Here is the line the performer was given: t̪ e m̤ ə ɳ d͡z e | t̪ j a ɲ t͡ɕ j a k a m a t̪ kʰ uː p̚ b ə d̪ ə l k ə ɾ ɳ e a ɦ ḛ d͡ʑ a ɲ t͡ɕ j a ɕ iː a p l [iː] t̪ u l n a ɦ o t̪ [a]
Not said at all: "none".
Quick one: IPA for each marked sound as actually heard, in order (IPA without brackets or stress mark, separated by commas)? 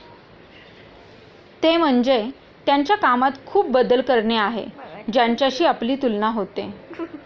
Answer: iː, e